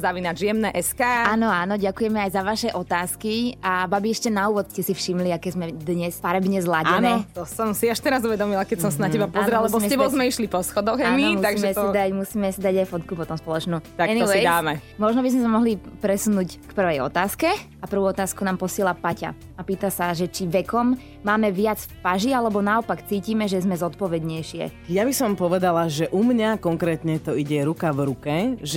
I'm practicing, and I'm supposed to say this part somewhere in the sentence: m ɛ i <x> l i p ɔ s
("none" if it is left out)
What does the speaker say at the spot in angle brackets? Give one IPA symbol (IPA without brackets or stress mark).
ʃ